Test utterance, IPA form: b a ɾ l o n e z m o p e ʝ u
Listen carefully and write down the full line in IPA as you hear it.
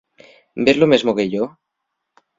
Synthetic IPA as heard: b e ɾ l o m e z m o k e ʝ o